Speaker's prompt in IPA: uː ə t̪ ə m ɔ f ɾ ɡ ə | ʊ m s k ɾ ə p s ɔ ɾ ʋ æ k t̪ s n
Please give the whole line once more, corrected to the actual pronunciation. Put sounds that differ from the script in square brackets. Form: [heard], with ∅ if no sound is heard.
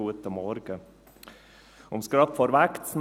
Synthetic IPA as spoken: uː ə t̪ ə m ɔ [∅] ɾ ɡ ə | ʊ m s k ɾ [ɑ] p [f] ɔ ɾ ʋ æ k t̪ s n